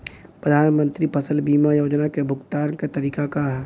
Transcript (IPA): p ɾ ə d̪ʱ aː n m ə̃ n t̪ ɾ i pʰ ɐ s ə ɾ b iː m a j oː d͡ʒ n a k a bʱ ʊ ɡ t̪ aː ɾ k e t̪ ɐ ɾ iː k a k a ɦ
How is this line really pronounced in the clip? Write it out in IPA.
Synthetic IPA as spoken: p ɾ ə d̪ʱ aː n m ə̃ n t̪ ɾ i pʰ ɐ s ə l b iː m a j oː d͡ʒ n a k e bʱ ʊ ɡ t̪ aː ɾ k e t̪ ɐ ɾ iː k a k a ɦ